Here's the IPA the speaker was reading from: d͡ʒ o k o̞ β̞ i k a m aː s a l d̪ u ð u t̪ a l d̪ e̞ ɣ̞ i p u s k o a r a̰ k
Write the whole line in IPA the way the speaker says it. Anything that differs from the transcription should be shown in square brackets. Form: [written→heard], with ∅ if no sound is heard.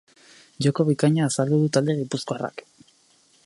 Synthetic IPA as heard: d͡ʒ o k o̞ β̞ i k a [m→ɲ] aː s a l d̪ u ð u t̪ a l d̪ e̞ ɣ̞ i p u s k o a r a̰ k